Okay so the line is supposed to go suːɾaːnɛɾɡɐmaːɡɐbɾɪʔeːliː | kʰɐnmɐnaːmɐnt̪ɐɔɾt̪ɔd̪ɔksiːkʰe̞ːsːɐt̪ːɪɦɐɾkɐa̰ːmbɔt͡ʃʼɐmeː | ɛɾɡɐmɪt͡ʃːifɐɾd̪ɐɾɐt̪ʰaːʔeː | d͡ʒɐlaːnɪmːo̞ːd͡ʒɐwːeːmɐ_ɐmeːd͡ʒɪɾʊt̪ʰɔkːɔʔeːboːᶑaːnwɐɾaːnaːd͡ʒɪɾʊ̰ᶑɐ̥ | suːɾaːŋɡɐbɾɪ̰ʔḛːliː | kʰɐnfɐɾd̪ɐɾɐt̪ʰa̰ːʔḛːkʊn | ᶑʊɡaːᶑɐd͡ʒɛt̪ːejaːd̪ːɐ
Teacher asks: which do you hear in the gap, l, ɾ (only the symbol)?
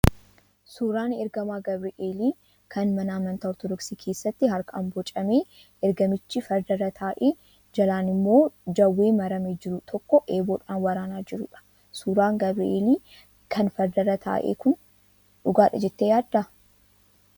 ɾ